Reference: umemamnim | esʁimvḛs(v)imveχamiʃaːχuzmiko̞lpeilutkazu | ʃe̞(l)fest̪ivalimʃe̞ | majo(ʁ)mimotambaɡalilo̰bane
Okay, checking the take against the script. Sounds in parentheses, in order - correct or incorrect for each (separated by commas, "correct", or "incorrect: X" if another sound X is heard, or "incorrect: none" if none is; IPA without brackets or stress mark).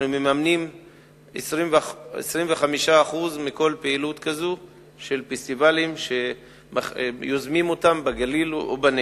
incorrect: ʁ, correct, incorrect: z